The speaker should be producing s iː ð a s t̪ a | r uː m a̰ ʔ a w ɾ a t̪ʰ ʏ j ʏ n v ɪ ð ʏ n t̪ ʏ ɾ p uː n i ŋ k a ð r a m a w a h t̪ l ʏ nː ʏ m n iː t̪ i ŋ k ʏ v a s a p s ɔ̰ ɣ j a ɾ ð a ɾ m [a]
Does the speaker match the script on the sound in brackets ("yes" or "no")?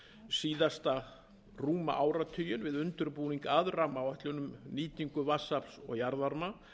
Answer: yes